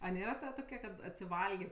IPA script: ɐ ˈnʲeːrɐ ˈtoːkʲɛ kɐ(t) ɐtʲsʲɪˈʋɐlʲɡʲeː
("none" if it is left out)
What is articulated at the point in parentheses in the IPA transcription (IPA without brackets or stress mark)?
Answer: t